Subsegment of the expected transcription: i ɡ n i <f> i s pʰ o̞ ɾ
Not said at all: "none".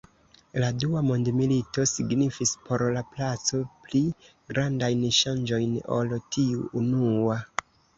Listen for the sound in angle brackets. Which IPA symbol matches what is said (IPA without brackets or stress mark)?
f